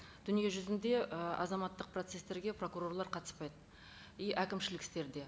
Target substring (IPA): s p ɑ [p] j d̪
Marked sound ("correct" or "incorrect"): incorrect